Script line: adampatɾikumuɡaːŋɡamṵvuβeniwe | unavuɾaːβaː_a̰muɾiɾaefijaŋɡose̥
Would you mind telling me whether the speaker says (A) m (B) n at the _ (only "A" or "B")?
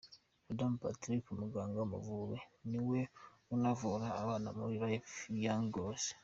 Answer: B